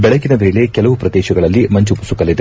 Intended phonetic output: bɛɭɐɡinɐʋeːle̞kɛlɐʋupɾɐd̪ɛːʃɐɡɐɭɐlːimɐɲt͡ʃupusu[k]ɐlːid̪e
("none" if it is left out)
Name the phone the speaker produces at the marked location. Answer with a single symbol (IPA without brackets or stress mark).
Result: k